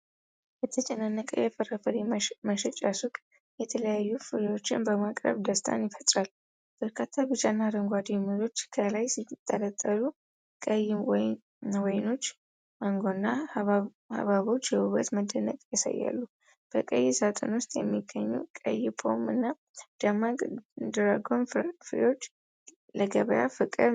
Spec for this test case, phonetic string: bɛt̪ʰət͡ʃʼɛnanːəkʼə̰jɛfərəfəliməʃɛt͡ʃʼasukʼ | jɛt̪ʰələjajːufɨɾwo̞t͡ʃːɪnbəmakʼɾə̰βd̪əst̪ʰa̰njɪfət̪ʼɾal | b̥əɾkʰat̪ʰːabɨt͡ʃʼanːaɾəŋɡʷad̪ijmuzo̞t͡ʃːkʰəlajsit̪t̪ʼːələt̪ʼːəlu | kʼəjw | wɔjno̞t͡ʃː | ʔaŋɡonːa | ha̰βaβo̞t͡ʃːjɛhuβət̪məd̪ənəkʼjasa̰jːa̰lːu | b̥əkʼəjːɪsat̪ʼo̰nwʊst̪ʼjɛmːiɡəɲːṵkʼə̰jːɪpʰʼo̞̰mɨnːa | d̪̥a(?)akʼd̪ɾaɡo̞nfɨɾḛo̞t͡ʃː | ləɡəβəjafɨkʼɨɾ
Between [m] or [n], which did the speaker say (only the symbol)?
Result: m